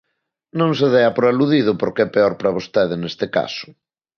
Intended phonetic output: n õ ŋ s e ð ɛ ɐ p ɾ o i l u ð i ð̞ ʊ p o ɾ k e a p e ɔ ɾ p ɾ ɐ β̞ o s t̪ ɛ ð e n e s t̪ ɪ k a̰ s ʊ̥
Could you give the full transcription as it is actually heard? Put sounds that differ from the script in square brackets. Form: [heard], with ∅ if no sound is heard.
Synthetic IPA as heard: n õ ŋ s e ð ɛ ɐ p ɾ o [a] l u ð i ð̞ ʊ p o ɾ k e [ɛ] p e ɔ ɾ p ɾ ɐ β̞ o s t̪ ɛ ð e n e s t̪ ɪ k a̰ s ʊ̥